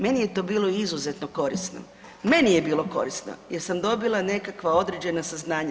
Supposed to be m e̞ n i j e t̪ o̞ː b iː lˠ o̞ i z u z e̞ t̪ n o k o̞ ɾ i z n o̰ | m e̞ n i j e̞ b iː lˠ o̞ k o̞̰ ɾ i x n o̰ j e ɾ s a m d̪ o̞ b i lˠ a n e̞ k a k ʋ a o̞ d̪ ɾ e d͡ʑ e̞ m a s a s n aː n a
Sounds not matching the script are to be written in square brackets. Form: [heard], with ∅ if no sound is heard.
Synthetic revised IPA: m e̞ n i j e t̪ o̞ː b iː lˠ o̞ i z u z e̞ t̪ n o k o̞ ɾ i [s] n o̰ | m e̞ n i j e̞ b iː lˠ o̞ k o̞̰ ɾ i [s] n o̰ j e ɾ s a m d̪ o̞ b i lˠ a n e̞ k a k ʋ a o̞ d̪ ɾ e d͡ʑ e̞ [n] a s a [z] n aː [ɲ] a

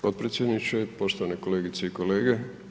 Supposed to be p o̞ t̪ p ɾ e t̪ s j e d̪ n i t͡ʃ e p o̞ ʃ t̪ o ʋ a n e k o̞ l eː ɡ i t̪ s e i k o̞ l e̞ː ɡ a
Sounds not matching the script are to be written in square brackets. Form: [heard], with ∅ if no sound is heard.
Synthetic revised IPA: p o̞ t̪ p ɾ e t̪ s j e d̪ n i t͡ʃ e p o̞ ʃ t̪ o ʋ a n e k o̞ l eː ɡ i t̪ s e i k o̞ l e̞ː ɡ [e]

